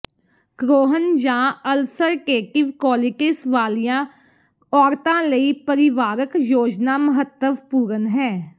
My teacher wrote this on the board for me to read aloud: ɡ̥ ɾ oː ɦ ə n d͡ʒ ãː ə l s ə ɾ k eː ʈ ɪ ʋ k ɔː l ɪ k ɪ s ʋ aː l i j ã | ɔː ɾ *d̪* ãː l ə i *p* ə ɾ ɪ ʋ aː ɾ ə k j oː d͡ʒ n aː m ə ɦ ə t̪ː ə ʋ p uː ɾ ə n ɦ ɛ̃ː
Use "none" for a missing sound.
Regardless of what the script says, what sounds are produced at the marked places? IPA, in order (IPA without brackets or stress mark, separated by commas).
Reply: t̪, p